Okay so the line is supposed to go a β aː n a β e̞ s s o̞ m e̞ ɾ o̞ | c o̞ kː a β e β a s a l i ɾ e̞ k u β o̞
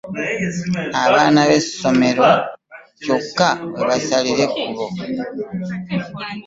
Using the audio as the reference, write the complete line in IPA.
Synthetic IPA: a β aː n a β e̞ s s o̞ m e̞ ɾ o̞ | c o̞ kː a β e β a s a l i ɾ e̞ k u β o̞